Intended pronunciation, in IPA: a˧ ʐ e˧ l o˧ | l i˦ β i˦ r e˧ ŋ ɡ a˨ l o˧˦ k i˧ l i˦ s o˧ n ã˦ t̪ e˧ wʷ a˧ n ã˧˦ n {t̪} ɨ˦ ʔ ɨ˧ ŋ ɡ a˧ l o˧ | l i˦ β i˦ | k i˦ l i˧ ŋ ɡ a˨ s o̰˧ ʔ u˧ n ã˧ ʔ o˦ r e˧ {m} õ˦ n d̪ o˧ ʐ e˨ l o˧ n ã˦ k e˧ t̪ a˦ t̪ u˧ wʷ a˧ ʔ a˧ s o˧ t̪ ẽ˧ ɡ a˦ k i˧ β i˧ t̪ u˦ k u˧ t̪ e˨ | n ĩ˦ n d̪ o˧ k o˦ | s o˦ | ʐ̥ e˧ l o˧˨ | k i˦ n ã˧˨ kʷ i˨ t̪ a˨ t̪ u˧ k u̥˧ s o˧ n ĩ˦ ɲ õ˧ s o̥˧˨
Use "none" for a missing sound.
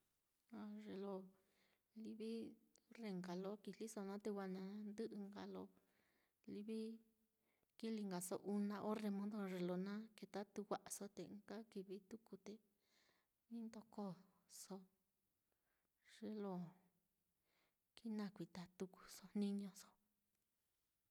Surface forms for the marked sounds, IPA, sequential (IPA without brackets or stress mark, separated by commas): d̪, m